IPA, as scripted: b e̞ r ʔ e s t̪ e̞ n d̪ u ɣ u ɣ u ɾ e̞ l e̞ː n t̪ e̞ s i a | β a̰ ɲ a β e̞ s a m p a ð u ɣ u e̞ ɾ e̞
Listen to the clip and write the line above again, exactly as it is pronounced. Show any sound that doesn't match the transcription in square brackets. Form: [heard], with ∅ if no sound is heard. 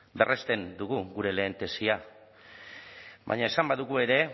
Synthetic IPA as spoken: b e̞ r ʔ e s t̪ e̞ n d̪ u ɣ u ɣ u ɾ e̞ l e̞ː n t̪ e̞ s i a | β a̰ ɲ a [∅] e̞ s a m [b] a ð u ɣ u e̞ ɾ e̞